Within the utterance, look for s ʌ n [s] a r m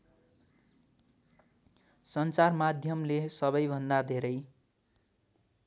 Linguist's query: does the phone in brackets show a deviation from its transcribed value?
yes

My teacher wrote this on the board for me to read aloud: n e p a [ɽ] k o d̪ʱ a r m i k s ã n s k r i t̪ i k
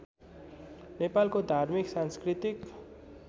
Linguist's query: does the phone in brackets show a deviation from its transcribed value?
yes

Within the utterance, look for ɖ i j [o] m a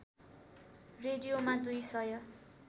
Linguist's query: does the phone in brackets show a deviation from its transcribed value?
no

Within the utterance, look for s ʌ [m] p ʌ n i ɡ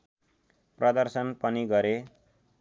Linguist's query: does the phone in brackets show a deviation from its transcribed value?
yes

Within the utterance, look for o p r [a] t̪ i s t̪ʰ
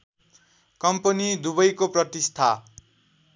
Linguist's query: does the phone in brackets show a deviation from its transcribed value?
yes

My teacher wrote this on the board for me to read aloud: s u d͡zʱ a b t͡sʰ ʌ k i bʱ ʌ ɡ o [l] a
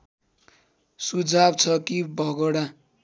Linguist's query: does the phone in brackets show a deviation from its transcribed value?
yes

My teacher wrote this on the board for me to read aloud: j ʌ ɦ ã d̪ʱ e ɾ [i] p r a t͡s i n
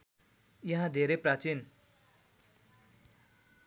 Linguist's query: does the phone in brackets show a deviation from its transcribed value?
yes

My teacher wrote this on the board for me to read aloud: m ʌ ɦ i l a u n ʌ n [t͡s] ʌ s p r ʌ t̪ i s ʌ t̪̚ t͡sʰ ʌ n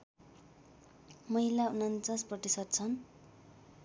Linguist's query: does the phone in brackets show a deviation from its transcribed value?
no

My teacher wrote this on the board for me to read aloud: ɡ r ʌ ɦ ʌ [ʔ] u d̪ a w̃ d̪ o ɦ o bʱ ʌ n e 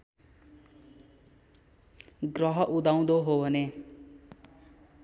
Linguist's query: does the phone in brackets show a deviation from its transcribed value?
no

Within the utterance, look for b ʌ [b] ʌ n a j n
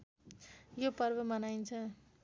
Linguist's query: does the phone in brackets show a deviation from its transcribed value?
yes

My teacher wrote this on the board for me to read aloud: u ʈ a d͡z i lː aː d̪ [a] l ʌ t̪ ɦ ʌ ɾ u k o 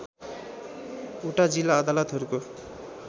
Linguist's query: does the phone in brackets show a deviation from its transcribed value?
no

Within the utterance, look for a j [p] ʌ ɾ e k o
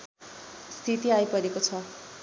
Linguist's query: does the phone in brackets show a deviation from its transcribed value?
no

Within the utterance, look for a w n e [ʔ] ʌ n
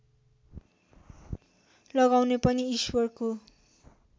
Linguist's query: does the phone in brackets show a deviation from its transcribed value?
yes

